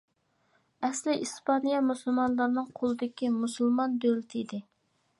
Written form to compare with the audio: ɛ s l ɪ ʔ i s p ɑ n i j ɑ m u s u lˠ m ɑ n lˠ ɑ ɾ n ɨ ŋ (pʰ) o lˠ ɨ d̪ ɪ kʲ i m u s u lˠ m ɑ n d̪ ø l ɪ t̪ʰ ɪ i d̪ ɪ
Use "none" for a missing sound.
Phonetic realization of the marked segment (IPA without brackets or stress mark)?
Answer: qʰ